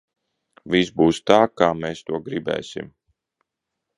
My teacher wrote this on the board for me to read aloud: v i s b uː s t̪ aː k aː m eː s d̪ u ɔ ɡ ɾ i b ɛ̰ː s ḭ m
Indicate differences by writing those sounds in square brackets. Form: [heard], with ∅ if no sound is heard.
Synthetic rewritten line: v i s b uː s t̪ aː k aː m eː s [t̪] u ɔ ɡ ɾ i b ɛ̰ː s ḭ m